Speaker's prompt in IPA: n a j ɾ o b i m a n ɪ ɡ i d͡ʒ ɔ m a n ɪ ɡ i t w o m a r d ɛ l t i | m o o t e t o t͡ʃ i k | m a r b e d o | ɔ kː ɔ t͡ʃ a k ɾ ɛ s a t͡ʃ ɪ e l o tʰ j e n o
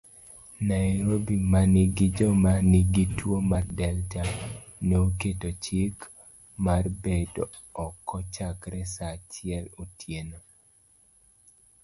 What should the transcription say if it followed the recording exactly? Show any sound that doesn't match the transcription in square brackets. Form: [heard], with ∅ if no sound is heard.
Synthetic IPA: n a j ɾ o b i m a n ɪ ɡ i d͡ʒ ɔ m a n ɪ ɡ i t w o m a r d ɛ l t [a] | [n] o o [k] e t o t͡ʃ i k | m a r b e d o | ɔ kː ɔ t͡ʃ a k ɾ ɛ s a t͡ʃ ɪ [ɛ] l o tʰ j e n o

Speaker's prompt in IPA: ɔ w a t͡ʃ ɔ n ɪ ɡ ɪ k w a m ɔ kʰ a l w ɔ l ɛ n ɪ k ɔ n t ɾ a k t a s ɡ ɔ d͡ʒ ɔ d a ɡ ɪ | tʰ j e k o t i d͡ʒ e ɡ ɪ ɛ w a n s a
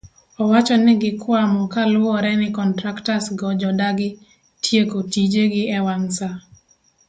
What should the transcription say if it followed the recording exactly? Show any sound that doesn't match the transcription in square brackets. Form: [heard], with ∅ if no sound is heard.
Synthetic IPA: ɔ w a t͡ʃ ɔ n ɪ ɡ ɪ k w a m ɔ [k] a l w ɔ [ɾ] ɛ n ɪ k ɔ n t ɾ a k t a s ɡ ɔ d͡ʒ ɔ d a ɡ ɪ | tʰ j e k o t i d͡ʒ e ɡ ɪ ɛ w a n s a

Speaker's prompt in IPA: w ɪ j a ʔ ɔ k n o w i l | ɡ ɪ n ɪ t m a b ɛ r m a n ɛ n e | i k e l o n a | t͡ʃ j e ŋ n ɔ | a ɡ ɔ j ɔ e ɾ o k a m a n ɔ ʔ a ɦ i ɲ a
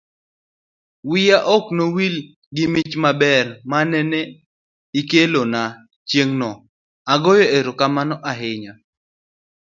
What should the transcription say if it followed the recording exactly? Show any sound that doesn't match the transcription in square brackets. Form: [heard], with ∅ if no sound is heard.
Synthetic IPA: w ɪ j a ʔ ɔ k n o w i l | ɡ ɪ [m] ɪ [t͡ʃ] m a b ɛ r m a n ɛ n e | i k e l o n a | t͡ʃ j e ŋ n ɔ | a ɡ ɔ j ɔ e ɾ o k a m a n ɔ ʔ a ɦ [ɪ] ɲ a

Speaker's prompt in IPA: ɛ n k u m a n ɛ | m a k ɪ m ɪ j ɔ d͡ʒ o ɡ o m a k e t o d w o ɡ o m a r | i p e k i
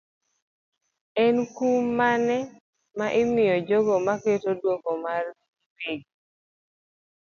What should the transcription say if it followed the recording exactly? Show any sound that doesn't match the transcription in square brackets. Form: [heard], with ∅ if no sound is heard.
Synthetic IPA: ɛ n k u m a n ɛ | m a [ʔ] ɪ m ɪ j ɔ d͡ʒ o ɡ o m a k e t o d w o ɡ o m a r | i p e [ɡ] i

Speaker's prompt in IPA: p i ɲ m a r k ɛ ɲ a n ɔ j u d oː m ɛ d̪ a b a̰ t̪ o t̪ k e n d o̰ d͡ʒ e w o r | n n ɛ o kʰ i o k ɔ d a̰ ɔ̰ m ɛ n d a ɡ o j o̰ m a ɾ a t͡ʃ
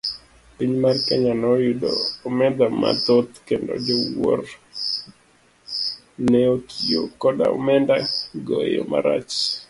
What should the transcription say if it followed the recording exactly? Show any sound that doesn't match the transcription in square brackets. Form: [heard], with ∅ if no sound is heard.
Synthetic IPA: p i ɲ m a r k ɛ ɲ a n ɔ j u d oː m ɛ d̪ a [m] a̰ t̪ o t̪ k e n d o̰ d͡ʒ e w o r | n n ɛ o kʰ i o k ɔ d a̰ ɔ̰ m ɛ n d a ɡ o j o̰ m a ɾ a t͡ʃ

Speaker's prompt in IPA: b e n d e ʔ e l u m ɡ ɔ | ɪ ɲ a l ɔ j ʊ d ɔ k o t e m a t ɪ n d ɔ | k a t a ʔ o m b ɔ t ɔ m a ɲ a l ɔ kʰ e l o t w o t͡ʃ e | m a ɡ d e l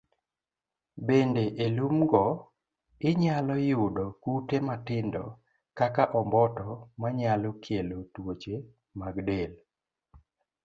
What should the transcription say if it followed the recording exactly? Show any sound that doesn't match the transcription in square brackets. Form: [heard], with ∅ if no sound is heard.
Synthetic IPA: b e n d e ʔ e l u m ɡ ɔ | ɪ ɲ a l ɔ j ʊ d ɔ k [u] t e m a t ɪ n d ɔ | k a [k] a ʔ [ɔ] m b ɔ t ɔ m a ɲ a l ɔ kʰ e l o t w o t͡ʃ e | m a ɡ d e l

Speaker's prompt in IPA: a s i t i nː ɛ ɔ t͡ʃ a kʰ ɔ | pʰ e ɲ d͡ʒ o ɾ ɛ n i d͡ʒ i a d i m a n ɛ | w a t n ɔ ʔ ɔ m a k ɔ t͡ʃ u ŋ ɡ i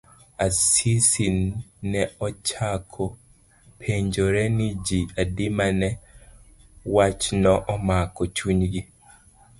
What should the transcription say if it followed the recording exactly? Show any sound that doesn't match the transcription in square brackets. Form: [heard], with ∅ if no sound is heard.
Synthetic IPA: a s i [s] i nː ɛ ɔ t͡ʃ a kʰ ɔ | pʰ e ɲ d͡ʒ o ɾ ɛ n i d͡ʒ i a d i m a n ɛ | w a [t͡ʃ] n ɔ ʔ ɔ m a k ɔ t͡ʃ u [ɲ] ɡ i

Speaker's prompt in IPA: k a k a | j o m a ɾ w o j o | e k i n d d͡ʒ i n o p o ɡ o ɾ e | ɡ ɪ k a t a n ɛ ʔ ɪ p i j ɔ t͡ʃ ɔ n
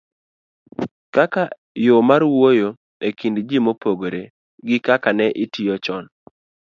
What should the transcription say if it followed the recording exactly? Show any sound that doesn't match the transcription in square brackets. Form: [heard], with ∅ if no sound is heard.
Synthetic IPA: k a k a | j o m a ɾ w o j o | e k i n d d͡ʒ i [m] o p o ɡ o ɾ e | ɡ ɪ k a [k] a n ɛ ʔ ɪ [t] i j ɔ t͡ʃ ɔ n

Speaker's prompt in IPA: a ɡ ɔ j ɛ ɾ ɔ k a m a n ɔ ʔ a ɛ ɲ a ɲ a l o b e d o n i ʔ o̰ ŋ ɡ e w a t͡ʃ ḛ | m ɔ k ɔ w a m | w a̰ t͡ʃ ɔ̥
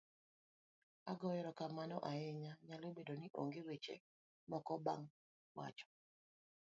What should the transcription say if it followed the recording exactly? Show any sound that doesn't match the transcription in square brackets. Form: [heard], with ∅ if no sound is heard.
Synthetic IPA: a ɡ ɔ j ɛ ɾ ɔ k a m a n ɔ ʔ a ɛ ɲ a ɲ a l o b e d o n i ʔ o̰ ŋ ɡ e w [e] t͡ʃ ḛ | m ɔ k ɔ [b] a [ŋ] | w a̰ t͡ʃ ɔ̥

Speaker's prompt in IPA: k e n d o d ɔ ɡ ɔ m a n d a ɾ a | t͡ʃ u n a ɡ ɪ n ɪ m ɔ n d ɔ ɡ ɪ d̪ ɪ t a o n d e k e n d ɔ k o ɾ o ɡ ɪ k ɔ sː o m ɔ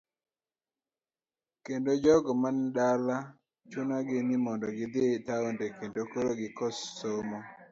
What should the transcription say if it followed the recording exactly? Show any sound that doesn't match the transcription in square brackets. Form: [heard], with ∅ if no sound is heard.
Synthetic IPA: k e n d o [d͡ʒ] ɔ ɡ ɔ m a n d a [l] a | t͡ʃ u n a ɡ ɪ n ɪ m ɔ n d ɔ ɡ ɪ d̪ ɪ t a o n d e k e n d [o] k o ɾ o ɡ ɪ k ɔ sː o m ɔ

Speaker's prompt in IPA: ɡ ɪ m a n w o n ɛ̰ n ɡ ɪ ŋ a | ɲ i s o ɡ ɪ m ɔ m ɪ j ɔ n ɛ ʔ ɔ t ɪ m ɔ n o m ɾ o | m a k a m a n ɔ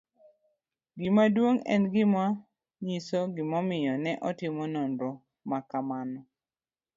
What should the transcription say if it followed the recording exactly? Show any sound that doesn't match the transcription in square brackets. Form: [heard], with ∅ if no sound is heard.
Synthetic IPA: ɡ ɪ m a [d] w o [ŋ] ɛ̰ n ɡ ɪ [m] a | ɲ i s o ɡ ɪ m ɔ m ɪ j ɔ n ɛ ʔ ɔ t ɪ m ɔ n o [n] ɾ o | m a k a m a n ɔ

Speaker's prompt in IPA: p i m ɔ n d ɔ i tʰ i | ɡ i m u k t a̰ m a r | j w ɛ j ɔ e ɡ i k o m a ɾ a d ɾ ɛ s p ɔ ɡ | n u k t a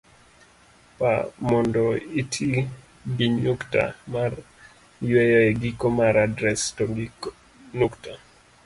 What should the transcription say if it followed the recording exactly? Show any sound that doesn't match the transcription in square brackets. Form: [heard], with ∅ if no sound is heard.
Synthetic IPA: p [a] m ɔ n d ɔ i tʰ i | ɡ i [ɲ] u k t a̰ m a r | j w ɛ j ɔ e ɡ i k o m a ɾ a d ɾ ɛ s [t] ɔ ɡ | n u k t a

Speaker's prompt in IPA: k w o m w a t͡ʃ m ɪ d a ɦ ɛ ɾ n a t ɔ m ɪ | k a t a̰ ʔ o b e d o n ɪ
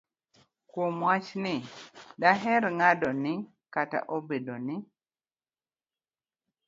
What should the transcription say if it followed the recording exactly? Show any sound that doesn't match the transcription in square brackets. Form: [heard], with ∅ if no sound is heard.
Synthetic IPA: k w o m w a t͡ʃ [n] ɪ d a ɦ ɛ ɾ [ŋ] a [d] ɔ [n] ɪ | k a t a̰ ʔ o b e d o n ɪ

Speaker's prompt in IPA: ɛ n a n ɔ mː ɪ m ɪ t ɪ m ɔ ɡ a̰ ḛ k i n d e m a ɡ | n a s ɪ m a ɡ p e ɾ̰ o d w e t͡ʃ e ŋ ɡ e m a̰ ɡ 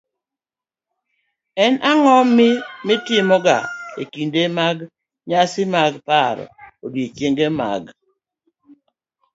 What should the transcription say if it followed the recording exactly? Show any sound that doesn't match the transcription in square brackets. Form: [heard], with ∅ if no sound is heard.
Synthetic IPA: ɛ n a [ŋ] ɔ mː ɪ m ɪ t ɪ m ɔ ɡ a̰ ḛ k i n d e m a ɡ | [ɲ] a s ɪ m a ɡ p [a] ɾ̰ o d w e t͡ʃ e ŋ ɡ e m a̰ ɡ

